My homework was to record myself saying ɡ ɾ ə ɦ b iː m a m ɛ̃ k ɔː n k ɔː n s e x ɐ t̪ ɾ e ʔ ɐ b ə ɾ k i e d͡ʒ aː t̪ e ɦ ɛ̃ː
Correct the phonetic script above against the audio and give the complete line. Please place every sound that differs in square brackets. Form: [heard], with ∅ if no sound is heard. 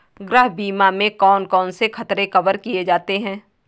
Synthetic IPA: ɡ ɾ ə ɦ b iː m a m [ẽ] k ɔː n k ɔː n s e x ɐ t̪ ɾ e [k] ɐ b ə ɾ k i e d͡ʒ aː t̪ e ɦ ɛ̃ː